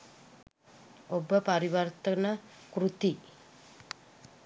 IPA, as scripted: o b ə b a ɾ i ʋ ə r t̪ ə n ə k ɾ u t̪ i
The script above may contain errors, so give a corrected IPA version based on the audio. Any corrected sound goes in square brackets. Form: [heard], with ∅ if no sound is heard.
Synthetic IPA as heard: o b ə [p] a ɾ i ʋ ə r t̪ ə n ə k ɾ u t̪ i